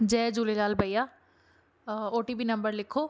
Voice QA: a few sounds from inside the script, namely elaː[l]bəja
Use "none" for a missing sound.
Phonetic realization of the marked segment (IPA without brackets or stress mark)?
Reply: l